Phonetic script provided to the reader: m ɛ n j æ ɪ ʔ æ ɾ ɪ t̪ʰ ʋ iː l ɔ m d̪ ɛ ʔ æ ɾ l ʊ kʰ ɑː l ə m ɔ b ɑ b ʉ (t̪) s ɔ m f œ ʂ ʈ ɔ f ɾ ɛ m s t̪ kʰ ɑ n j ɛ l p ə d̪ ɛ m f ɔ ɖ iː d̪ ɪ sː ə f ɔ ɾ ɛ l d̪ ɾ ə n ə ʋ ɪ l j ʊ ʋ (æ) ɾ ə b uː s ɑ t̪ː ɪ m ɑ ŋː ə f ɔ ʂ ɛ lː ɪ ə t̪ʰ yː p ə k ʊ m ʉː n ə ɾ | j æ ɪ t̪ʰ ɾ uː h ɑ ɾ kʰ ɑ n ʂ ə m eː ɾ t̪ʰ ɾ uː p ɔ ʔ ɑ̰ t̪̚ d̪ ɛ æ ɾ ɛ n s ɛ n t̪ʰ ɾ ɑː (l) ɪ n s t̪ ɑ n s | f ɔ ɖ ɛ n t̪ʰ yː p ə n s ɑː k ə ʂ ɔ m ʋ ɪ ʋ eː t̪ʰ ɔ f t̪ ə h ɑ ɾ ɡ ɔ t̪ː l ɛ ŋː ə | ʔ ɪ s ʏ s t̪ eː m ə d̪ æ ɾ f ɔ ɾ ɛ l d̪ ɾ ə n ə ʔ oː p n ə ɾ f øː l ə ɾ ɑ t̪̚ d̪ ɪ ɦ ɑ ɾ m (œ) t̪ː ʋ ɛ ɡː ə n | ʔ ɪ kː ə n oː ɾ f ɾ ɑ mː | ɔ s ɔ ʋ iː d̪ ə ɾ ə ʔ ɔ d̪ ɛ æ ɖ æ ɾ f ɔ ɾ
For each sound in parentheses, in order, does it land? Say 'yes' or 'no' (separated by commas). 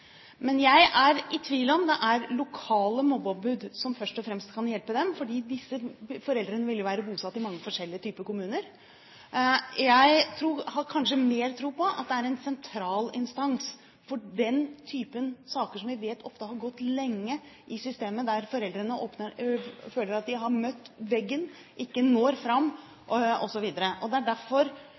no, no, yes, yes